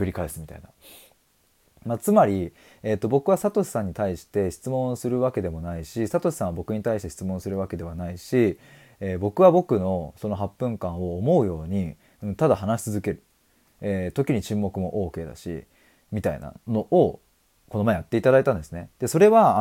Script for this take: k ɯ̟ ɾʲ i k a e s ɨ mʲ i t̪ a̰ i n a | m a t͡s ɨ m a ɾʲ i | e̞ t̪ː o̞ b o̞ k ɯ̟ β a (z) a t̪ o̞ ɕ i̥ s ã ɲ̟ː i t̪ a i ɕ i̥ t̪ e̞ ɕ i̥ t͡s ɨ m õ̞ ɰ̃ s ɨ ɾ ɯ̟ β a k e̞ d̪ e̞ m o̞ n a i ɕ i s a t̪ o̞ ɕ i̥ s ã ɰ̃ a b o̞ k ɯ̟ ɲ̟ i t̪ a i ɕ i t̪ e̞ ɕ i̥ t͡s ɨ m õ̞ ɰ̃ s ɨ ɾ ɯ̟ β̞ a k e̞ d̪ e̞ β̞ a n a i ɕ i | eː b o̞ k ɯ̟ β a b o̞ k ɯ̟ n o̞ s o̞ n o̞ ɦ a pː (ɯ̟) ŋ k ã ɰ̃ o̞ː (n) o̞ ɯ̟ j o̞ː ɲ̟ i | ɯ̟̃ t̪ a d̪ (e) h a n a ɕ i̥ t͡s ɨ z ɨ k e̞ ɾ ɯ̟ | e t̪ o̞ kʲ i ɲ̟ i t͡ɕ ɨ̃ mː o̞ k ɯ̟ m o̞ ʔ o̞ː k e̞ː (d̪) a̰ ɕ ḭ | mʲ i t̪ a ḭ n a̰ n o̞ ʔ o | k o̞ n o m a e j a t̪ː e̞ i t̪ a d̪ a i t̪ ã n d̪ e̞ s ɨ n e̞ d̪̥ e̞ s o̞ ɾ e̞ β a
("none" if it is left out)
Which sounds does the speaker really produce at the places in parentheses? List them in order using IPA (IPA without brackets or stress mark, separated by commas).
s, ɯ̟̃, m, a, d̪